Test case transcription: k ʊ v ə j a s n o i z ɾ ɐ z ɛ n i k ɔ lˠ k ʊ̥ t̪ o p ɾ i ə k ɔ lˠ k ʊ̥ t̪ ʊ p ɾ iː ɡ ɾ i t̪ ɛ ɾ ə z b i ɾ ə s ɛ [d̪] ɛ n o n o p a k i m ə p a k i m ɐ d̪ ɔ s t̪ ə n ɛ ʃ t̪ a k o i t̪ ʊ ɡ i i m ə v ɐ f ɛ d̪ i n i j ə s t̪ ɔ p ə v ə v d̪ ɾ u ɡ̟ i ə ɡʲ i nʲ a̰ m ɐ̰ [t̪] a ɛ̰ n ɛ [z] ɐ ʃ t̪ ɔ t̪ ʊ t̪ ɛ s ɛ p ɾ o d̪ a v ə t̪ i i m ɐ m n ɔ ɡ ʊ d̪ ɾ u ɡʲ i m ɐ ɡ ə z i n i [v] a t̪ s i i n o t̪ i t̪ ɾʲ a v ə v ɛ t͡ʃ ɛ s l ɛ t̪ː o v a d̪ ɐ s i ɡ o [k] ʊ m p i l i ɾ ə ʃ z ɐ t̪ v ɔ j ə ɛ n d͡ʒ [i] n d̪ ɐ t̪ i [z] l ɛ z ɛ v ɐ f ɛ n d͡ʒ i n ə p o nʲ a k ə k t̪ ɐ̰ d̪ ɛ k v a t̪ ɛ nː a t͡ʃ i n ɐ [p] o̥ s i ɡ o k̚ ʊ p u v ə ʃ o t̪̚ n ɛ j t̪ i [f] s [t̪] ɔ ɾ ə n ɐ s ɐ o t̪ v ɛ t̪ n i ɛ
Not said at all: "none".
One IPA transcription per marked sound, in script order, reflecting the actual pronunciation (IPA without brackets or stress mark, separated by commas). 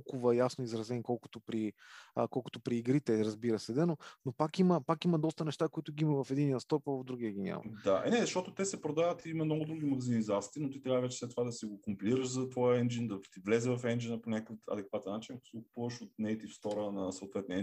d̪, d̪, z, z, k, i, v, k, f, t̪